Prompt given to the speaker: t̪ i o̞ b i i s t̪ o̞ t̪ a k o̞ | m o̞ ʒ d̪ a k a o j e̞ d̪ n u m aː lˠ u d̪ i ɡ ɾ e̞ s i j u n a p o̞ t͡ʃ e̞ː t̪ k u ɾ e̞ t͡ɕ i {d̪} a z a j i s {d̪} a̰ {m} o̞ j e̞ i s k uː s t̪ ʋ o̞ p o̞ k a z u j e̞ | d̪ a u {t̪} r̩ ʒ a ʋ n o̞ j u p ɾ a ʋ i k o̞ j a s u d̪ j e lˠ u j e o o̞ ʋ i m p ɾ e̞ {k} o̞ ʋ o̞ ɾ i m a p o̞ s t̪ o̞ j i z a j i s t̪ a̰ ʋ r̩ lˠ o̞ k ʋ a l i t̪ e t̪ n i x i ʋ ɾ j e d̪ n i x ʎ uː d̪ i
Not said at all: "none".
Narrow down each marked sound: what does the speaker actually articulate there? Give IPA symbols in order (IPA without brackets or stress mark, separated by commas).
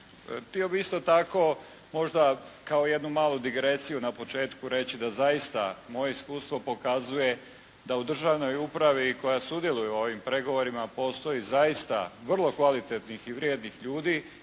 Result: d̪, t̪, m, d̪, ɡ